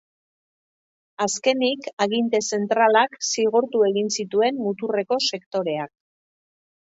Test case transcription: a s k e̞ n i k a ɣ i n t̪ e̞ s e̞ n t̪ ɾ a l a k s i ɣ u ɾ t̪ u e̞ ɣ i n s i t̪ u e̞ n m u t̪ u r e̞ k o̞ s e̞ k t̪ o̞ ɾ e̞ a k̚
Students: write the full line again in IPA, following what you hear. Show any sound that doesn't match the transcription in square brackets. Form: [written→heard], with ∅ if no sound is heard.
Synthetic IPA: a s k e̞ n i k a ɣ i n t̪ e̞ s e̞ n t̪ ɾ a l a k s i ɣ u ɾ t̪ u e̞ ɣ i n s i t̪ u e̞ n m u t̪ u r e̞ k o̞ s e̞ k t̪ o̞ ɾ e̞ a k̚

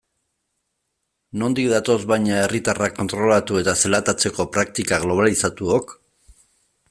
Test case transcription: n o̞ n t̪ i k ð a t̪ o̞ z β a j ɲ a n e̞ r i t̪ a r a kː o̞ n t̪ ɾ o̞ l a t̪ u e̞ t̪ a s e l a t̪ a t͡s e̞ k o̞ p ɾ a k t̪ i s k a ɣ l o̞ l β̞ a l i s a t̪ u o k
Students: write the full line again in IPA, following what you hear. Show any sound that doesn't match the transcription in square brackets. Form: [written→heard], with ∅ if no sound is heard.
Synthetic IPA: n o̞ n [t̪→d̪] i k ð a t̪ o̞ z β a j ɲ a [n→∅] e̞ r i t̪ a r a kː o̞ n t̪ ɾ o̞ l a t̪ u e̞ t̪ a s e l a t̪ a t͡s e̞ k o̞ p ɾ a k t̪ i [s→∅] k a ɣ l o̞ [l→∅] β̞ a l i s a t̪ u o k

